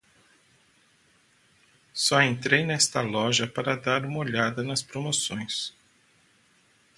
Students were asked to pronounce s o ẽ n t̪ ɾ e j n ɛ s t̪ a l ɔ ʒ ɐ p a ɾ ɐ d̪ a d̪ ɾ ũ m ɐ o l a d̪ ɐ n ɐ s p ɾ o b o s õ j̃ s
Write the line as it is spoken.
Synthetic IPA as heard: s ɔ ẽ n t̪ ɾ e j n ɛ s t̪ ɐ l ɔ ʒ ɐ p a ɾ ɐ d̪ a ɾ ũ m ɐ o ʎ a d̪ ɐ n ɐ s p ɾ o m o s õ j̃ s